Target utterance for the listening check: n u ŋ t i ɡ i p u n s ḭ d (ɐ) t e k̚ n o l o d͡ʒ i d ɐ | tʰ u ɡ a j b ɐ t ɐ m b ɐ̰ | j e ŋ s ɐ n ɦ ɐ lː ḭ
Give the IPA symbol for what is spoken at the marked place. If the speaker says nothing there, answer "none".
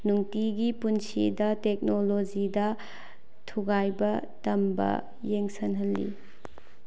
ɐ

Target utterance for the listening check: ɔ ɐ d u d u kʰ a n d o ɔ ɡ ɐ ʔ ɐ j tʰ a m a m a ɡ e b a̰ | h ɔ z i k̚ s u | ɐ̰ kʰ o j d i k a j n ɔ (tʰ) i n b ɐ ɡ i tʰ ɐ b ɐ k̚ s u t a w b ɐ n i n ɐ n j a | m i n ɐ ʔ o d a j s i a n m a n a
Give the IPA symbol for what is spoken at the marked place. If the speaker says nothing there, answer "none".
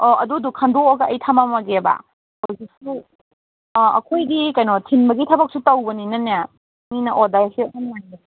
tʰ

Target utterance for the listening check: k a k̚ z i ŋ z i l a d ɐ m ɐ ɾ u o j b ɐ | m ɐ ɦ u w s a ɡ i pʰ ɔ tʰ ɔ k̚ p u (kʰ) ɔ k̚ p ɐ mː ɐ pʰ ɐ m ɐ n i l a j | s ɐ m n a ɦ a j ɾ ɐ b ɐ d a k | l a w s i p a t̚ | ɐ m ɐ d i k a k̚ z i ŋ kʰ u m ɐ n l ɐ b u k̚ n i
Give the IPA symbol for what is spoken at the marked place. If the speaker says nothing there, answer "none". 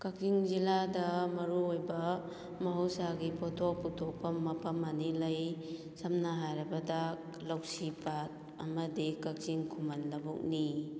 tʰ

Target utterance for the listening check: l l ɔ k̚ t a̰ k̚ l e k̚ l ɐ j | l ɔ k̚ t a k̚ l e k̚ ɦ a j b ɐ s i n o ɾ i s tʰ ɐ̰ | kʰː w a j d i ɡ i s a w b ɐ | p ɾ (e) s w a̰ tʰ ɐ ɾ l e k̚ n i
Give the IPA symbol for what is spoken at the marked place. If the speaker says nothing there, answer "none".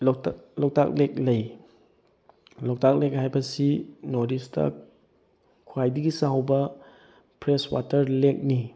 e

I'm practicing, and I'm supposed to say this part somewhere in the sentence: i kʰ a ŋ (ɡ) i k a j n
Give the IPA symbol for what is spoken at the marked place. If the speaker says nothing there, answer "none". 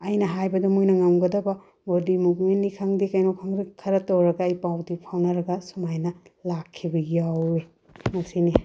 d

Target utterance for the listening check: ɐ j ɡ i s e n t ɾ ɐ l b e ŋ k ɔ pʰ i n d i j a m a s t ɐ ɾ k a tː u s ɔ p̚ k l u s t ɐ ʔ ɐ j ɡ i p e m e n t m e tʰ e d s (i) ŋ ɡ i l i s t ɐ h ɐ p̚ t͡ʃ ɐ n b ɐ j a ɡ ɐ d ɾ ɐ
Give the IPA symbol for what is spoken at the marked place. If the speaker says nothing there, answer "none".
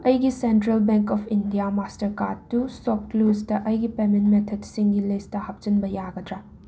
i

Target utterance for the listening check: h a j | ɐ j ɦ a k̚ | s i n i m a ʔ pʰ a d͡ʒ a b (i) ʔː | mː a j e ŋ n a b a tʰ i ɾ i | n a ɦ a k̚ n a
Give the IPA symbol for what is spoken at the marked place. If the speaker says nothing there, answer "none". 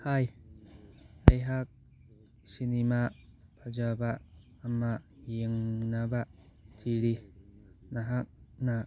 a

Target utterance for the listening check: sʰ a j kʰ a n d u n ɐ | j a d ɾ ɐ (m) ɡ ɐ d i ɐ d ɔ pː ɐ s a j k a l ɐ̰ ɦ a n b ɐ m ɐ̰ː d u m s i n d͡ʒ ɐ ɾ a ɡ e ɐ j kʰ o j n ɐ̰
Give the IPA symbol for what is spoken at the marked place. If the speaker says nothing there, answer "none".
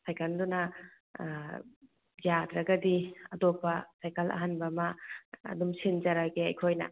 none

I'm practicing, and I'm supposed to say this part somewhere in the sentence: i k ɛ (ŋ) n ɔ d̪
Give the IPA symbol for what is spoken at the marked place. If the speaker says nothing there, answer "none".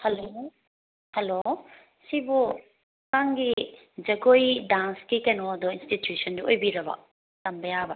none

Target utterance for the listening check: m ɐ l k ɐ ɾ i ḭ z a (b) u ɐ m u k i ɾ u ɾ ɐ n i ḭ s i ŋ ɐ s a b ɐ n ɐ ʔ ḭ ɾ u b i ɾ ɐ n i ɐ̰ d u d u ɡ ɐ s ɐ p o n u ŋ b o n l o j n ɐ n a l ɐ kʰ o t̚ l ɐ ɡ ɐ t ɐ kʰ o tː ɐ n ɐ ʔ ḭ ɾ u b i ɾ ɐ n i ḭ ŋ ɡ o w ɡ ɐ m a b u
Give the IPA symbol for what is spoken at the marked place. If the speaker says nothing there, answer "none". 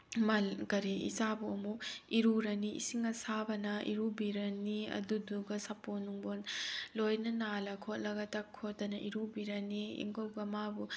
b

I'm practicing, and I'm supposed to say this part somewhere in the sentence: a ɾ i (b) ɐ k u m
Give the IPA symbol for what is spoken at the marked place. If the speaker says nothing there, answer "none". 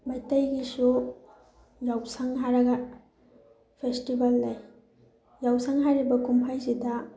b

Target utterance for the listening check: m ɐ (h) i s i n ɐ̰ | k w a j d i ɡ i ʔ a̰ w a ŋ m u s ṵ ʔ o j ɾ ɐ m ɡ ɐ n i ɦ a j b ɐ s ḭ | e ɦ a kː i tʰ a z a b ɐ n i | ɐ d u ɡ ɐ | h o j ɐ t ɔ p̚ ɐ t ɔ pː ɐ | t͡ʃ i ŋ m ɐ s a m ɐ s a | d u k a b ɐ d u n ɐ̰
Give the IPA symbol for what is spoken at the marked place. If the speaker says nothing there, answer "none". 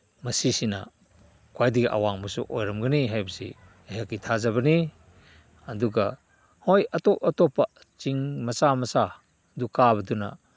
s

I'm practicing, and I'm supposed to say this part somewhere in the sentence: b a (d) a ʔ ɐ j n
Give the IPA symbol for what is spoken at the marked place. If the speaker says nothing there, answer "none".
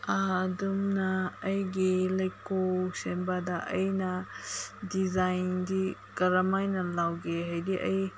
d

